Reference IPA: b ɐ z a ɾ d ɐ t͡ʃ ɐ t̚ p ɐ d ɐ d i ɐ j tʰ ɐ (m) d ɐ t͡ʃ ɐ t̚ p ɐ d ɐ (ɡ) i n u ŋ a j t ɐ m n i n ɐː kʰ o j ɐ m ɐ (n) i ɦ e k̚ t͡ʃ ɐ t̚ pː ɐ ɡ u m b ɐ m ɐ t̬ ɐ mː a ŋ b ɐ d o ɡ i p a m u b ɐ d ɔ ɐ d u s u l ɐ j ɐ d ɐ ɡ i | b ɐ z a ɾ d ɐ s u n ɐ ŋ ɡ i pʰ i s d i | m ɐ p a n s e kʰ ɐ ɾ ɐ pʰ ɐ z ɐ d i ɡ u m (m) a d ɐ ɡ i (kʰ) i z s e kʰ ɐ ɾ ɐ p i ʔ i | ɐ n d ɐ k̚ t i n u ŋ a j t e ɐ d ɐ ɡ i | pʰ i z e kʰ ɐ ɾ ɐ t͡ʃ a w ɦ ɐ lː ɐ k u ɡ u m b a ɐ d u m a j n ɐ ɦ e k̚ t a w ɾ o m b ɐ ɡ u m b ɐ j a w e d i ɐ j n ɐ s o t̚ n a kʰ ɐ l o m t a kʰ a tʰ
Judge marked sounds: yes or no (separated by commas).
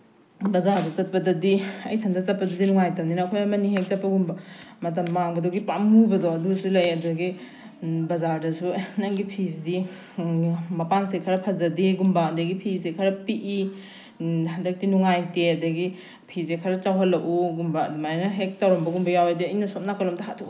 no, no, yes, no, no